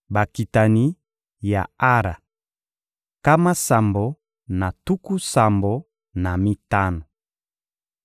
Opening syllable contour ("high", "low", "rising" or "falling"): low